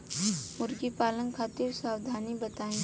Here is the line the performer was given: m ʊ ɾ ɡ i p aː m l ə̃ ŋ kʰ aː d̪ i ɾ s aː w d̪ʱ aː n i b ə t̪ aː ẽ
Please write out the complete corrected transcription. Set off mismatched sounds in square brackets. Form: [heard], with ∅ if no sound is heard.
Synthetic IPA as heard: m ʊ ɾ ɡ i p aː [∅] l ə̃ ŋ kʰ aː [t̪] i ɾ s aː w d̪ʱ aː n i b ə t̪ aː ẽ